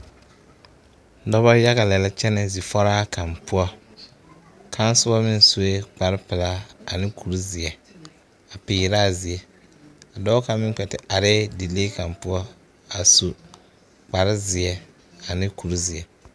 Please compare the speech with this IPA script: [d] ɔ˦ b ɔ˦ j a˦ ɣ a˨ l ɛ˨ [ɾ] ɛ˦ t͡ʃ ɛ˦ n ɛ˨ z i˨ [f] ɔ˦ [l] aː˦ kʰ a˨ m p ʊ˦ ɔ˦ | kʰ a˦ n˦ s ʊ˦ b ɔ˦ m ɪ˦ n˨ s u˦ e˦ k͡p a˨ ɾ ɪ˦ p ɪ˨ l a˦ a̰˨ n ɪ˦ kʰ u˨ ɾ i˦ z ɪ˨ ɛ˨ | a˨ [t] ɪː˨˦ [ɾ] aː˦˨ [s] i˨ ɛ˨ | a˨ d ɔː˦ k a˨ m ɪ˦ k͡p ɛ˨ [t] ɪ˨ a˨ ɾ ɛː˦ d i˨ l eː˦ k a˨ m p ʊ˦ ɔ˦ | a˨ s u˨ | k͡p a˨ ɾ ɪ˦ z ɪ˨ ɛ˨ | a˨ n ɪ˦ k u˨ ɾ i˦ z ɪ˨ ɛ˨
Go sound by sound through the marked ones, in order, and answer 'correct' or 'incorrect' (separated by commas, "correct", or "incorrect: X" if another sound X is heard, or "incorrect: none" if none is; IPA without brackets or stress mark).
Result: correct, incorrect: l, correct, incorrect: ɾ, incorrect: p, correct, incorrect: z, correct